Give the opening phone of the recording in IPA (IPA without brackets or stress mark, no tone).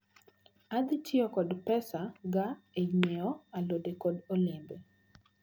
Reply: a